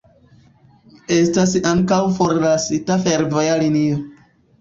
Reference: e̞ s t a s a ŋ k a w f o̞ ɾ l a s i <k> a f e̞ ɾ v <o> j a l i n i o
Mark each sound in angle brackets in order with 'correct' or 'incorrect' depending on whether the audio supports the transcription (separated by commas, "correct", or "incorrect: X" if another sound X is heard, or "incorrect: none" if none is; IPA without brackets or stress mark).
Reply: incorrect: t, correct